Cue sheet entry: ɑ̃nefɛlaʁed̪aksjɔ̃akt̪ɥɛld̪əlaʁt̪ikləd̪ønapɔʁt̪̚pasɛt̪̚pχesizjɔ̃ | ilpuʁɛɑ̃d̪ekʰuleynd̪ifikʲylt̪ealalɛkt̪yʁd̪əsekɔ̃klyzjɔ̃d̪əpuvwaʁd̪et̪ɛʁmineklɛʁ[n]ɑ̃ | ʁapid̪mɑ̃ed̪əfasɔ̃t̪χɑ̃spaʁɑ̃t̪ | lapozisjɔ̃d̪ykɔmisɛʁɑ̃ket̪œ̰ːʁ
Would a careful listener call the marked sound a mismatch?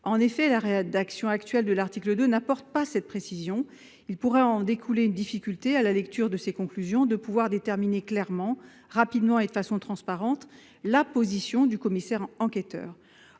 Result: yes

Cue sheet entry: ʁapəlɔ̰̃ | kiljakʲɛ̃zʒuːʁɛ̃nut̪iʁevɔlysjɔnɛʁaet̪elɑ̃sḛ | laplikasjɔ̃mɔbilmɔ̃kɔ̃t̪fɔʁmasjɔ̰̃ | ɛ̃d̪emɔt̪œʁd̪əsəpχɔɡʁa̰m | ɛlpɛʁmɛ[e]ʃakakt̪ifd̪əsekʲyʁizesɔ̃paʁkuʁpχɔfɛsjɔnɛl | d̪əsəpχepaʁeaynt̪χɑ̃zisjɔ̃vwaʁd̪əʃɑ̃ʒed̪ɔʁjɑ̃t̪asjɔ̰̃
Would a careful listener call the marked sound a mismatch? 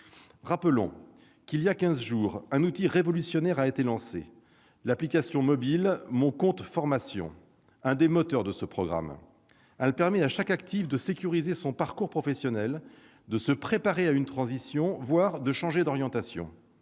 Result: yes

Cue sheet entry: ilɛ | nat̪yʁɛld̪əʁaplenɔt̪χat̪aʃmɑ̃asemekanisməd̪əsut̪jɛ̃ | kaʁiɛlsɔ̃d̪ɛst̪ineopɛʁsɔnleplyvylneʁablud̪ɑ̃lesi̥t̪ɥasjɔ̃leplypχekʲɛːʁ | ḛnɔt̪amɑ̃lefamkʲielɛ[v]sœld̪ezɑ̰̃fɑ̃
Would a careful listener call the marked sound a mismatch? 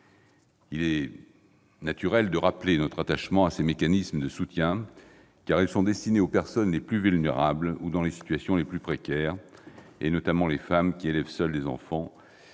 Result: no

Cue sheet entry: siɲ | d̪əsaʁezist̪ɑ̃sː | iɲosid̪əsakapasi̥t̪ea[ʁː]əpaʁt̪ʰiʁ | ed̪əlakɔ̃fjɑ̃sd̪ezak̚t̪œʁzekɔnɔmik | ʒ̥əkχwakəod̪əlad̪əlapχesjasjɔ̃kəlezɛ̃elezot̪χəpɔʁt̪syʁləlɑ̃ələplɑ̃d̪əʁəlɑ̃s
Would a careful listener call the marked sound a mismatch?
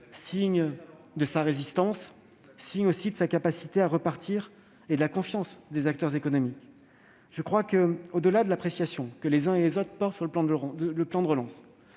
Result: yes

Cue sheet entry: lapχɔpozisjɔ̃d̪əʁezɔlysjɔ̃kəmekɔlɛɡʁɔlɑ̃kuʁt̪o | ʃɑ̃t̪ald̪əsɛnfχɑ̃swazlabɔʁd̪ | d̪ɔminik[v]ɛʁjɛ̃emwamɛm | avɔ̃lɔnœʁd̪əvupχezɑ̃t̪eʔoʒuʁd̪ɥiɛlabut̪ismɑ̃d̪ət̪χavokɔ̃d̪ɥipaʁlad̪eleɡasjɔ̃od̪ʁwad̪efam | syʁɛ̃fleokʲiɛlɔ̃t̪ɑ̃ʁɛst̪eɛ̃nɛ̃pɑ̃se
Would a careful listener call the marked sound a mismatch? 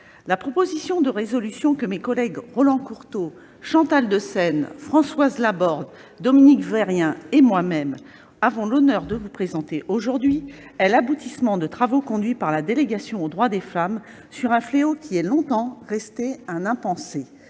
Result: no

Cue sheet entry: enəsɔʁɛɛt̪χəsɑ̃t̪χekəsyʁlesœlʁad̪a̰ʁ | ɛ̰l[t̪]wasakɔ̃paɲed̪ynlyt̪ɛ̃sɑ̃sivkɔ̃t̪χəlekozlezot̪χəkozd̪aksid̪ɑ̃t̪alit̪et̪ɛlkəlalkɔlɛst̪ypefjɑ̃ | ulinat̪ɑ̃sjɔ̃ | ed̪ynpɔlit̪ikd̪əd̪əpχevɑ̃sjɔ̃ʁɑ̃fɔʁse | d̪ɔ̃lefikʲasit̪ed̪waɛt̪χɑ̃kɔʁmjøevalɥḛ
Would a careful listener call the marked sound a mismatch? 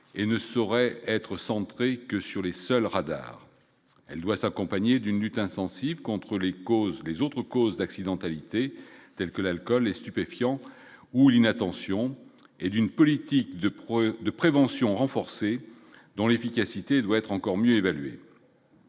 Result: yes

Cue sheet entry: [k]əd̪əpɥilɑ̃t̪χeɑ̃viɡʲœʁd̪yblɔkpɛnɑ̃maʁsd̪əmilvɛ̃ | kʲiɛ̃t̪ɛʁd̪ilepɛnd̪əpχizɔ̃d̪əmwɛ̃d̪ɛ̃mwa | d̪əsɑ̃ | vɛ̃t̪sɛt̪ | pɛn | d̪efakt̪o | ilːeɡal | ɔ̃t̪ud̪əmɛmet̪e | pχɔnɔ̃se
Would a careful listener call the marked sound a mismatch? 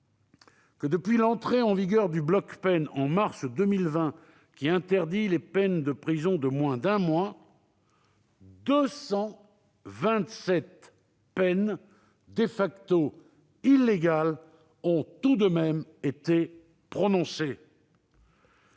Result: no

